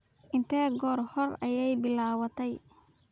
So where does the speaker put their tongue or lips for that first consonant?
throat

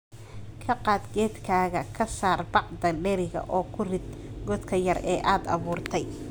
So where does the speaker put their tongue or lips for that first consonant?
velum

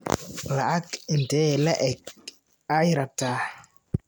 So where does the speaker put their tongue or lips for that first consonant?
tongue tip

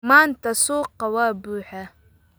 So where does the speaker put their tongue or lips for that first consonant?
lips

